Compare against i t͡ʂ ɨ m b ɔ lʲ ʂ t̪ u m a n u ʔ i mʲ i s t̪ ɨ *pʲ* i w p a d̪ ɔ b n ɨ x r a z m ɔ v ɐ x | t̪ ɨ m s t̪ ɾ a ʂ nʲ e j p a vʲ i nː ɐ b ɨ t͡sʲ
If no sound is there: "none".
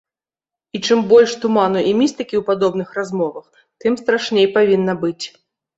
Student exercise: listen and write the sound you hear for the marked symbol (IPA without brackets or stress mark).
kʲ